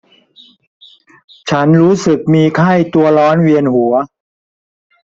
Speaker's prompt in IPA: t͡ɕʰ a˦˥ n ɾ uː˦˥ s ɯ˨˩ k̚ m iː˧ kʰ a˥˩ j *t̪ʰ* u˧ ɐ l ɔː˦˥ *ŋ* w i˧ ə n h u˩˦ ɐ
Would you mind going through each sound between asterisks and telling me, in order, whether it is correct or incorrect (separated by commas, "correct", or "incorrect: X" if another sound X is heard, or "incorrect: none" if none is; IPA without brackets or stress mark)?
incorrect: t̪, incorrect: n